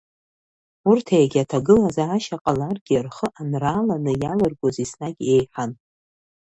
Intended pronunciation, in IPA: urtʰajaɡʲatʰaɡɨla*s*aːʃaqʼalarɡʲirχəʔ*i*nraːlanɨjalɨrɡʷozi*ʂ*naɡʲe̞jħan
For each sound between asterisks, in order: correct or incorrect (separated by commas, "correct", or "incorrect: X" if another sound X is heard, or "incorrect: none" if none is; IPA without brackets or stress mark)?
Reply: incorrect: z, incorrect: a, incorrect: s